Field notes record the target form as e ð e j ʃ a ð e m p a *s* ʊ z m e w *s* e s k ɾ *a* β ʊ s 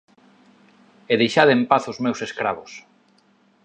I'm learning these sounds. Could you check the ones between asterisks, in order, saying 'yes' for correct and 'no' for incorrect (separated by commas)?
no, yes, yes